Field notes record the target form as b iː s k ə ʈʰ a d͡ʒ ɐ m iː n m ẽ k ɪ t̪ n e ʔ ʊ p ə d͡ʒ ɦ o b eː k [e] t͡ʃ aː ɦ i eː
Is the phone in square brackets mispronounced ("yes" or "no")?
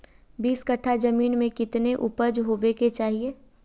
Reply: no